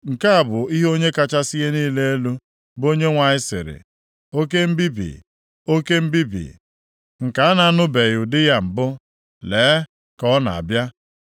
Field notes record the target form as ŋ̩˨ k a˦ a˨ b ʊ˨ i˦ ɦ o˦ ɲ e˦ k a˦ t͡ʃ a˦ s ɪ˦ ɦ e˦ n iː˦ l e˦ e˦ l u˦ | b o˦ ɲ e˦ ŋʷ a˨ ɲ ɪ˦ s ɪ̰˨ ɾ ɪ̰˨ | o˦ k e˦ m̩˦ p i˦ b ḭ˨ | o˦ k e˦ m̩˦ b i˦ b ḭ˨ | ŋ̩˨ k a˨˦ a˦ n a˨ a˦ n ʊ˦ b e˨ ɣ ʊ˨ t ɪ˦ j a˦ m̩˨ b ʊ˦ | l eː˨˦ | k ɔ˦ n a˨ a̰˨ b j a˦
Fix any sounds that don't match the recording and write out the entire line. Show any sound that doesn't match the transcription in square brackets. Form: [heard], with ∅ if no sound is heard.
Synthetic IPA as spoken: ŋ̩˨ k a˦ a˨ b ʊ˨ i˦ ɦ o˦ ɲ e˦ k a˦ t͡ʃ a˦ s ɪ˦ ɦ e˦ n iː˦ l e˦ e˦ l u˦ | b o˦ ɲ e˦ ŋʷ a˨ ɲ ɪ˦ s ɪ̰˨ ɾ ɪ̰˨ | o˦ k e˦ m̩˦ [b] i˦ b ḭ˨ | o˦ k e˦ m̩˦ b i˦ b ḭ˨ | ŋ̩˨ k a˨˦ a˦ n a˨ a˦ n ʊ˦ b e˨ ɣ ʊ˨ [d] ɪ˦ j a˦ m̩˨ b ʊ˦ | l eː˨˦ | k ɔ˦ n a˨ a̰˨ b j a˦